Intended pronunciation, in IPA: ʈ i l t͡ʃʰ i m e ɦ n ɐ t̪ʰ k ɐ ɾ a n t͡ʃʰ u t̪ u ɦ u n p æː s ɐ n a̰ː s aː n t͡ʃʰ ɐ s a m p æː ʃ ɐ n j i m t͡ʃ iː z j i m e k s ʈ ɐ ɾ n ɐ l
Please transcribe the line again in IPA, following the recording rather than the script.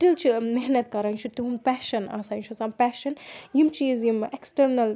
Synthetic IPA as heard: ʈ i l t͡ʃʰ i m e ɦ n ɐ t̪ k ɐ ɾ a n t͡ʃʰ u t̪ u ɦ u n p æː ʃ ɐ n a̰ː s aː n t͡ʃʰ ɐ s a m p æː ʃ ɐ n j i m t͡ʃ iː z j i m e k s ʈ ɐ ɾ n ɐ l